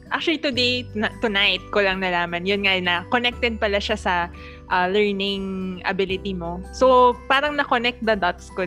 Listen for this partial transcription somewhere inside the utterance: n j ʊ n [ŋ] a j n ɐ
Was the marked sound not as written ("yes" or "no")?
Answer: no